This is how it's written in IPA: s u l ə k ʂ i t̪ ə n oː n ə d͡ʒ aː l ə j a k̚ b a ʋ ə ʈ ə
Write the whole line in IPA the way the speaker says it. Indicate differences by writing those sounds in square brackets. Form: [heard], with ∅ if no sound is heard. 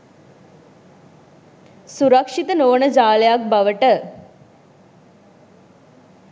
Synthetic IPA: s u [ɾ] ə k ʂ i t̪ ə n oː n ə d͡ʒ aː l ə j a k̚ b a ʋ ə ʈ ə